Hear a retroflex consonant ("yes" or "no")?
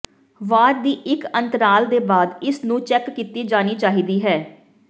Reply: no